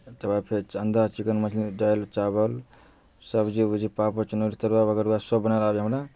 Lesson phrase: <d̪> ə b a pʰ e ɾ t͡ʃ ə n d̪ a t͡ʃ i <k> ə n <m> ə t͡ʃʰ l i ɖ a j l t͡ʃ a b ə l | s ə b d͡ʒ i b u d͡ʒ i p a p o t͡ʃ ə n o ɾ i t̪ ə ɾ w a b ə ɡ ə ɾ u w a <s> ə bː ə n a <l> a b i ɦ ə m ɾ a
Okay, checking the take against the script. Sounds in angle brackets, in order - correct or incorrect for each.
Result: incorrect, correct, correct, correct, correct

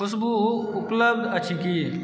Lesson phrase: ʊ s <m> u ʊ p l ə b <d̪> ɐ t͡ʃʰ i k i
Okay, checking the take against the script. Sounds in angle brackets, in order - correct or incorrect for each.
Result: incorrect, correct

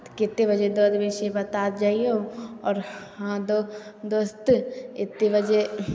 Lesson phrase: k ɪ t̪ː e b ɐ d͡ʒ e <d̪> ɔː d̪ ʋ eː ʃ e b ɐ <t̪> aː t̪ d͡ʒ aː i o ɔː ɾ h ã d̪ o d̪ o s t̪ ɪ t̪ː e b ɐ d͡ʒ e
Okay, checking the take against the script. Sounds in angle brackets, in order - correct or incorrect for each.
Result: correct, correct

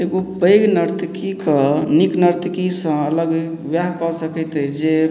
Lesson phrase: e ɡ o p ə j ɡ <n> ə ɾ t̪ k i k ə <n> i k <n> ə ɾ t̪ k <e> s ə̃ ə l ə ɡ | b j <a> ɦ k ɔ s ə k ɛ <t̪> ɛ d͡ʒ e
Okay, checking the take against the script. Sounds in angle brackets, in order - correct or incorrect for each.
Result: correct, correct, correct, incorrect, correct, correct

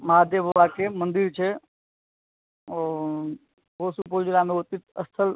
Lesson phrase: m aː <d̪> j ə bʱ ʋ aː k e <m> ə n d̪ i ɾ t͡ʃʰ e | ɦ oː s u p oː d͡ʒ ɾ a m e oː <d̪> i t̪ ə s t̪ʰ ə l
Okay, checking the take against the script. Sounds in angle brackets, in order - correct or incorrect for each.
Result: correct, correct, incorrect

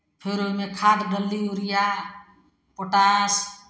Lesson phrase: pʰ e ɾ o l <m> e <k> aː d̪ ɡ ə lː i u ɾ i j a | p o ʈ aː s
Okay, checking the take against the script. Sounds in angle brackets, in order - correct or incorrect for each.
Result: correct, incorrect

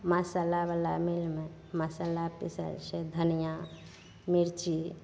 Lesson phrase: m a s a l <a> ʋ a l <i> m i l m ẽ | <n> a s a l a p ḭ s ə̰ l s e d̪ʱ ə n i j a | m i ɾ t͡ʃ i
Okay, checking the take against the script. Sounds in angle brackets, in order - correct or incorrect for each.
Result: correct, incorrect, incorrect

